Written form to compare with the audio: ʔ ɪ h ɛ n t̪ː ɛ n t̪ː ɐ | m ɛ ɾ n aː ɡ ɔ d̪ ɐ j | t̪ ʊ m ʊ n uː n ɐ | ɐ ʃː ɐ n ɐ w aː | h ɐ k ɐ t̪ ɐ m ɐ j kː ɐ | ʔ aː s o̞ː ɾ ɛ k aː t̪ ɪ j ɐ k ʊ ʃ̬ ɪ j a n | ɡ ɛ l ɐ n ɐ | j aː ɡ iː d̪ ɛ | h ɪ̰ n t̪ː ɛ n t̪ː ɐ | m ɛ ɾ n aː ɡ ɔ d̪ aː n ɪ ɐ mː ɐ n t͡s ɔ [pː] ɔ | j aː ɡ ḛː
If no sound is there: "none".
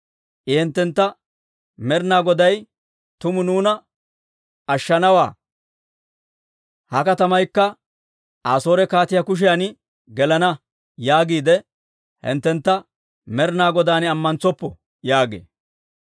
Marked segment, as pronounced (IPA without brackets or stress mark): pː